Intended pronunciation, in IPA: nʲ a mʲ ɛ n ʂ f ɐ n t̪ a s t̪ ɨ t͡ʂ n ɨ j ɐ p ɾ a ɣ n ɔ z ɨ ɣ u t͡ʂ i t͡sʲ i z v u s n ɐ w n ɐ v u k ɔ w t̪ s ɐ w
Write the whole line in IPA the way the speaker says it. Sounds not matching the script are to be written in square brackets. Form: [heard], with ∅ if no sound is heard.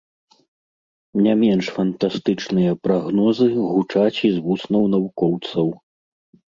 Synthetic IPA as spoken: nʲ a mʲ ɛ n ʂ f ɐ n t̪ a s t̪ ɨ t͡ʂ n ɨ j ɐ p ɾ a ɣ n ɔ z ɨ ɣ u t͡ʂ [a] t͡sʲ i z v u s n ɐ w n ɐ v u k ɔ w t̪ s ɐ w

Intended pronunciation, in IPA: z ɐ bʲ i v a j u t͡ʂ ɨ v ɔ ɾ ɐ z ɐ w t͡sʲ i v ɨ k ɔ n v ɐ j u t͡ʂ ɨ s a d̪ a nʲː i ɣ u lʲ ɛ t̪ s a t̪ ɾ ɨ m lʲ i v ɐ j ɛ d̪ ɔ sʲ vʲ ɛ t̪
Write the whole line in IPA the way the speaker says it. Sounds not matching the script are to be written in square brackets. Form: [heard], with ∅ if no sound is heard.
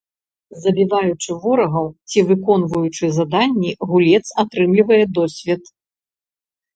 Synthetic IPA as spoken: z ɐ bʲ i v a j u t͡ʂ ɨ v ɔ ɾ ɐ [ɣ] ɐ w t͡sʲ i v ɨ k ɔ n v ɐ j u t͡ʂ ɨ [z] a d̪ a nʲː i ɣ u lʲ ɛ t̪ s a t̪ ɾ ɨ m lʲ i v ɐ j ɛ d̪ ɔ sʲ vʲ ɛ t̪

